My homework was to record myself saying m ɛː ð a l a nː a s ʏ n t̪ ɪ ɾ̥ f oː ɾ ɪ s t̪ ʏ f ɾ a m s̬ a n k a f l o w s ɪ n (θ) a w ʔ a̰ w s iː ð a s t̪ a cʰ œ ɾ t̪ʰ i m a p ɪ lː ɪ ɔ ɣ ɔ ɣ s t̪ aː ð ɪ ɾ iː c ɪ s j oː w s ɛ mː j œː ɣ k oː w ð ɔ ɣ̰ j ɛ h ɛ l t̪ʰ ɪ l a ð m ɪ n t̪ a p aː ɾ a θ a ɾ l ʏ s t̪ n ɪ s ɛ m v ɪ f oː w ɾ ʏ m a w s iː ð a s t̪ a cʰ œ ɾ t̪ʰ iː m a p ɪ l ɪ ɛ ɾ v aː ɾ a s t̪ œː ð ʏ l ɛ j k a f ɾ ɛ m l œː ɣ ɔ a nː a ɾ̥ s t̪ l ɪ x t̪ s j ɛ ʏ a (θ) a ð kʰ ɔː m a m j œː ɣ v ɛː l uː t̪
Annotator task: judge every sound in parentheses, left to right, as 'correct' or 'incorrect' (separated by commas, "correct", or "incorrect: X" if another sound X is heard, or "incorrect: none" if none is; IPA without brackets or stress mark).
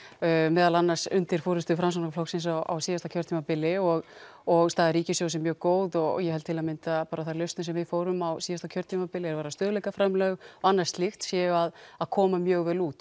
incorrect: s, incorrect: ð